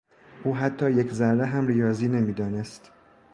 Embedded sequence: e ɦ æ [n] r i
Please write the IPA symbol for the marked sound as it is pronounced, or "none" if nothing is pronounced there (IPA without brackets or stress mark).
m